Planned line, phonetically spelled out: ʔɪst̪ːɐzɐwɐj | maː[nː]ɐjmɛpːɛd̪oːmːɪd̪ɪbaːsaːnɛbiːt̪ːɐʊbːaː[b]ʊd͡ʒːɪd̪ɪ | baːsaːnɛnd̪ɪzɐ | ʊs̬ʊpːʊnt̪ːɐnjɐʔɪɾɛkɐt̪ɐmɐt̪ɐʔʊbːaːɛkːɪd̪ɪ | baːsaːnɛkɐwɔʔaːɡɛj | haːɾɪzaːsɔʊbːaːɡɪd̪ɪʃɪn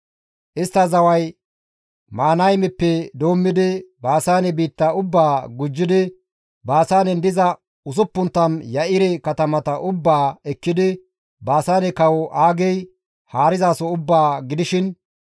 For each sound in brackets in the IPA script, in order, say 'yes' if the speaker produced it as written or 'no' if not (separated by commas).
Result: no, no